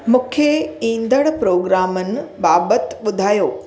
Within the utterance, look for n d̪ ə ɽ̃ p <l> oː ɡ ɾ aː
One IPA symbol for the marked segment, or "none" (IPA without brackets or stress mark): ɾ